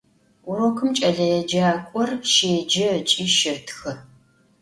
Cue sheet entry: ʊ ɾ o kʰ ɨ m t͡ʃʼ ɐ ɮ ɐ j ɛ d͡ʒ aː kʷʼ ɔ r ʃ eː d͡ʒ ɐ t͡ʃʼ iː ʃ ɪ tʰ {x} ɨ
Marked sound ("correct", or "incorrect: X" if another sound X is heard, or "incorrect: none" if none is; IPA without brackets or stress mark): correct